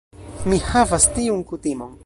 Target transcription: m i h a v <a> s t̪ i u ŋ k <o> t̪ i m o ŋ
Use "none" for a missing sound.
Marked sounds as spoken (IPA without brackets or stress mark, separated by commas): a, u